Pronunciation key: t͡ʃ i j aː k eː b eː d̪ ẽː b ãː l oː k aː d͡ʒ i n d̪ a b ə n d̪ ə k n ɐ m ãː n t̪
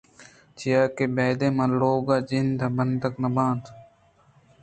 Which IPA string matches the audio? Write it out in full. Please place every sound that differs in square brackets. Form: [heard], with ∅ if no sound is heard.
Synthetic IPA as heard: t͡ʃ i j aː k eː b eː d̪ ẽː [m] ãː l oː [ɡ] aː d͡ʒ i n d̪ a b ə n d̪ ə k n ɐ [b] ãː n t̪